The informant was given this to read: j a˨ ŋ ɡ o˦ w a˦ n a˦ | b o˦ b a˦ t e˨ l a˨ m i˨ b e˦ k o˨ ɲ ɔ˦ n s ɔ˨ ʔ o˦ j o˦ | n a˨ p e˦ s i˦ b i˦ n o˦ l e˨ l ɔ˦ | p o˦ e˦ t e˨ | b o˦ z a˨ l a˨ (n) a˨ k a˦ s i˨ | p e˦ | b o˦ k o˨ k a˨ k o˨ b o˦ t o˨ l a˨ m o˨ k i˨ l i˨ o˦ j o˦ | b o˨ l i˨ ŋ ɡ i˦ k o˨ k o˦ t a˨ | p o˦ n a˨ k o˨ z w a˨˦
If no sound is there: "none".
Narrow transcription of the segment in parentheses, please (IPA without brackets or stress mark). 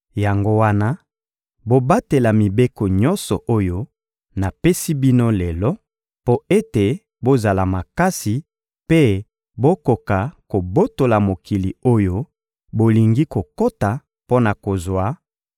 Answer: m